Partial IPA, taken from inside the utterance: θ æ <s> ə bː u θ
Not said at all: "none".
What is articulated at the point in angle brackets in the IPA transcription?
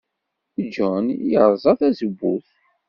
z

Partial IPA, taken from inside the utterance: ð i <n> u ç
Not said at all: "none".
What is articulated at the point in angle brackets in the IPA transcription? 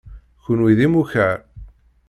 m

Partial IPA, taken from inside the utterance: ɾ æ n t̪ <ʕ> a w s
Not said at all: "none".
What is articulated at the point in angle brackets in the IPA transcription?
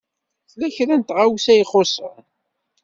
ʁ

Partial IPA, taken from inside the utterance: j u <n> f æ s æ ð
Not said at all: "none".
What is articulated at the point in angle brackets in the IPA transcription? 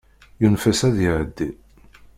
n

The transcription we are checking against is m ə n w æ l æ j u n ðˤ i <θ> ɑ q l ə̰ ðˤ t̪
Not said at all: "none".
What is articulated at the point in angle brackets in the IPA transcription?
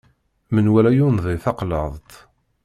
θ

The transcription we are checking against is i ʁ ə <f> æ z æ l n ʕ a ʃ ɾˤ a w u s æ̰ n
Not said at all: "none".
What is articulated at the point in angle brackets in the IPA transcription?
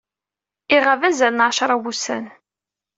v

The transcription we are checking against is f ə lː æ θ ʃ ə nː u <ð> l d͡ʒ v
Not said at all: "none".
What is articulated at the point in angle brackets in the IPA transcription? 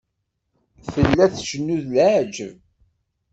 ð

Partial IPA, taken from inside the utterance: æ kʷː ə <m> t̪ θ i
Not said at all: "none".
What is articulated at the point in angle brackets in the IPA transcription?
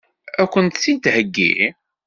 n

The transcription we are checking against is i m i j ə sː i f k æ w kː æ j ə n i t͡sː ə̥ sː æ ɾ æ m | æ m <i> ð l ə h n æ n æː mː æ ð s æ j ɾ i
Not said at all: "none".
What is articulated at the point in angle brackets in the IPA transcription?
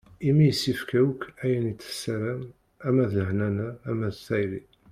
æ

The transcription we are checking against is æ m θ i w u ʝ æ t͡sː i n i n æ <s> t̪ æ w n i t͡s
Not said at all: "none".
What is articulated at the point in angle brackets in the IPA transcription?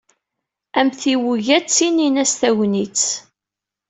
s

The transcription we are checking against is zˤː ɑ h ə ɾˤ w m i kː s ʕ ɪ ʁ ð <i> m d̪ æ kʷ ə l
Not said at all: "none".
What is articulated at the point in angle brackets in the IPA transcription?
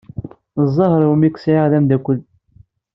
æ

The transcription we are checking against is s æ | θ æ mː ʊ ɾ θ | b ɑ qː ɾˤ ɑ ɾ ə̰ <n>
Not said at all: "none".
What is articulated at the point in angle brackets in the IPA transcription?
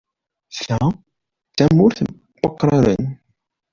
n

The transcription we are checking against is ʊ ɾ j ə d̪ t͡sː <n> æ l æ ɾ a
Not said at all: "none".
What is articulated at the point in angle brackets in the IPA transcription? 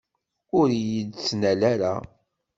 n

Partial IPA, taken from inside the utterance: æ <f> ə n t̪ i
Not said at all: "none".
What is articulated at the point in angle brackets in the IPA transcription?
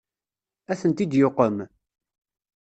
θ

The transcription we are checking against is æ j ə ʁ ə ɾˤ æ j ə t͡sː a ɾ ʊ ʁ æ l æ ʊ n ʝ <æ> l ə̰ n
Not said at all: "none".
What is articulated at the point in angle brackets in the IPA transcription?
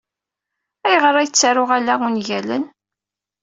æ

